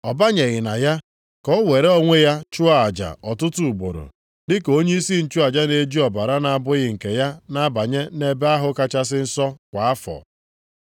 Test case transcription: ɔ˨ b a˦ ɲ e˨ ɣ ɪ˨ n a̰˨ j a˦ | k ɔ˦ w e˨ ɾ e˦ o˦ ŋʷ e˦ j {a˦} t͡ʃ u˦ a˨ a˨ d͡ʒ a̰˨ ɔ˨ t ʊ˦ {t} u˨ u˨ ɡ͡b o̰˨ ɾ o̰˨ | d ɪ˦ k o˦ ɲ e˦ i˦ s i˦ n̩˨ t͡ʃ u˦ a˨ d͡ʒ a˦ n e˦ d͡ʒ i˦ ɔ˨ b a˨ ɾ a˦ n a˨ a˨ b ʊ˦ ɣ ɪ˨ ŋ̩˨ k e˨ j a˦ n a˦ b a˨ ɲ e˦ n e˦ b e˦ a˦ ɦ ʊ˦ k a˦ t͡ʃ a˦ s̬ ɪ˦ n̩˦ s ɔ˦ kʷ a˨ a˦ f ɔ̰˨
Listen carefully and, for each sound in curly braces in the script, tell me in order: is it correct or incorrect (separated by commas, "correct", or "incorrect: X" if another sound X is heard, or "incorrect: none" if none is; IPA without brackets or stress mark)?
correct, correct